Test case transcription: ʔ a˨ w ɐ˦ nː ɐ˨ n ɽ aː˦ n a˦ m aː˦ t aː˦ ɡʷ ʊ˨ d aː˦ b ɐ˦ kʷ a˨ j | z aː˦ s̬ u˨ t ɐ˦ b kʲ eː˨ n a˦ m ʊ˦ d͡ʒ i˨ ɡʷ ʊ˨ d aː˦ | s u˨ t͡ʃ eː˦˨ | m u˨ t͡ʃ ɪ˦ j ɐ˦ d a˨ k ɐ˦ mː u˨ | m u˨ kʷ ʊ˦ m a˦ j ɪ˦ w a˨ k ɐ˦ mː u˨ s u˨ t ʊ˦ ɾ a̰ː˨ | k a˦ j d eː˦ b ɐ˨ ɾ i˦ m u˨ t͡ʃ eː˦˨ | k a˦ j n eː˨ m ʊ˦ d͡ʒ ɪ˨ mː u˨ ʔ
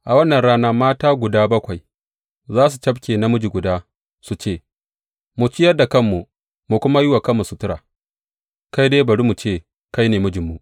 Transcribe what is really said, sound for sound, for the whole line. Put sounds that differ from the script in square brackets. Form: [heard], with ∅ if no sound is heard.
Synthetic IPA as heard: ʔ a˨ w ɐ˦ nː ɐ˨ n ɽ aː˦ n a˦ m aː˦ t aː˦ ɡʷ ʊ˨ d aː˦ b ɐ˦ kʷ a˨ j | z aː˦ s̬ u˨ [t͡ʃ] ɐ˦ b kʲ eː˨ n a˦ m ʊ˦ d͡ʒ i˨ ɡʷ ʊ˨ d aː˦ | s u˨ t͡ʃ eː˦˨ | m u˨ t͡ʃ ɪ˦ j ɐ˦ d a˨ k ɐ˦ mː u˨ | m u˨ kʷ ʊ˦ m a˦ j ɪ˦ w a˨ k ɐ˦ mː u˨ s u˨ t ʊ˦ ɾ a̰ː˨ | k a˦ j d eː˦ b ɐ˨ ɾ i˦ m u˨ t͡ʃ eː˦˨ | k a˦ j n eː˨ m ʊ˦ d͡ʒ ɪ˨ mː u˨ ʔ